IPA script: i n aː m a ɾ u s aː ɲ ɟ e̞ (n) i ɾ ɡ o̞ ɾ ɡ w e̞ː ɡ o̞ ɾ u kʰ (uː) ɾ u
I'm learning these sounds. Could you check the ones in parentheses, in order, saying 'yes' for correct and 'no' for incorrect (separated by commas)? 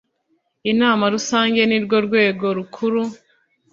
yes, no